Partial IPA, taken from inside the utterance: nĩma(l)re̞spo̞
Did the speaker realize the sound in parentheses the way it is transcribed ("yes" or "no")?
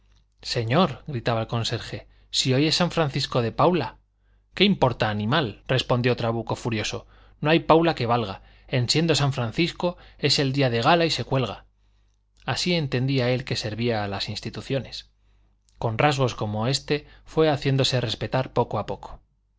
yes